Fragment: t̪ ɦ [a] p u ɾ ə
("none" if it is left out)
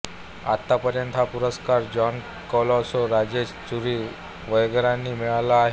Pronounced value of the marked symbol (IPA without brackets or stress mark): a